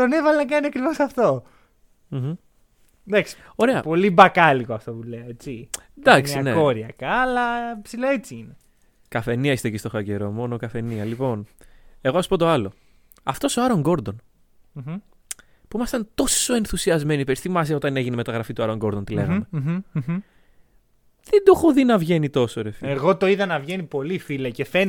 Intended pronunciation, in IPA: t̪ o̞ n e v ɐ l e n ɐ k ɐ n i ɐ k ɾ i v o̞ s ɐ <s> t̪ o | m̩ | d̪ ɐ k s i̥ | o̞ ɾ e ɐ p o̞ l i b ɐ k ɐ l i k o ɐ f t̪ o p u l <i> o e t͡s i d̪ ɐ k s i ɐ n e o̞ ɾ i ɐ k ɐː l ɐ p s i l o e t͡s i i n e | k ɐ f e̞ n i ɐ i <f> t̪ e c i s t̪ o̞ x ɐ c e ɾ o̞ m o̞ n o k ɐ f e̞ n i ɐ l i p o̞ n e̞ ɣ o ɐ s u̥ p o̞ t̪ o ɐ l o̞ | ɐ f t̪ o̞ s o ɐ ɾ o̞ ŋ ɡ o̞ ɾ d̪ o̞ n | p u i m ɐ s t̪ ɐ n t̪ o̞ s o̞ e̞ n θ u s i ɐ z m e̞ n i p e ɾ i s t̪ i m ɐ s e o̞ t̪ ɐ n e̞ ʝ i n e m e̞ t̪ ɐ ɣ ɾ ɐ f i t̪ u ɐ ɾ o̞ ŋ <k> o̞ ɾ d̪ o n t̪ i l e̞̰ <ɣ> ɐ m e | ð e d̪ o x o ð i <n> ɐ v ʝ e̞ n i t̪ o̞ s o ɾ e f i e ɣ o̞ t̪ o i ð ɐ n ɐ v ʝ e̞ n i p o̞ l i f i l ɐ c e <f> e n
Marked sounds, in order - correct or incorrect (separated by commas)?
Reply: incorrect, incorrect, incorrect, incorrect, correct, correct, correct